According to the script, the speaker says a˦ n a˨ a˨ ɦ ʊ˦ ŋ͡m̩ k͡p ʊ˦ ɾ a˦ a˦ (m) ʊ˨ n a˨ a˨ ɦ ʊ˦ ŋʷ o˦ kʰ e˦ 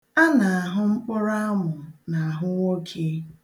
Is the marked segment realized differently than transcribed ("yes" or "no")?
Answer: no